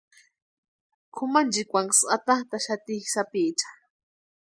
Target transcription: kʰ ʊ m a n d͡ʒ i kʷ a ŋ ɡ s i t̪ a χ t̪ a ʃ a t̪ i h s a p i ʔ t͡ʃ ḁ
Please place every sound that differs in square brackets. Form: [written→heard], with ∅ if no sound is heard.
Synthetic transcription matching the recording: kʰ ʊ m a n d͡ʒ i kʷ a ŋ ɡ s [i→a] t̪ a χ t̪ a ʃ a t̪ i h s a p i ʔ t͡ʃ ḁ